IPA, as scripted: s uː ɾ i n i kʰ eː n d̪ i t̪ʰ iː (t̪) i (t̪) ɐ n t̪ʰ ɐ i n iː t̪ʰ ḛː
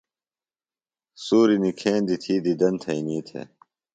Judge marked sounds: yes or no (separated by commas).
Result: no, no